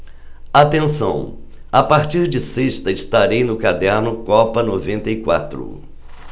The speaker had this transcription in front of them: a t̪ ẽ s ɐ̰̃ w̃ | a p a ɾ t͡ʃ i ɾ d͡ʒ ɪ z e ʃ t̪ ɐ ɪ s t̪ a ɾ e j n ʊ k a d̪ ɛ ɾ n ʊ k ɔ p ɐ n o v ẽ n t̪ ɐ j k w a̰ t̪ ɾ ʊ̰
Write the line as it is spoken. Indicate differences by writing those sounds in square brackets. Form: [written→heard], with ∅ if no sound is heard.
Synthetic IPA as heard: a t̪ ẽ s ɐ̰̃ w̃ | a p a ɾ t͡ʃ i ɾ d͡ʒ ɪ [z→s] e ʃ t̪ ɐ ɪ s t̪ a ɾ e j n ʊ k a d̪ ɛ ɾ n ʊ k ɔ p ɐ n o v ẽ n t̪ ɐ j k w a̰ t̪ ɾ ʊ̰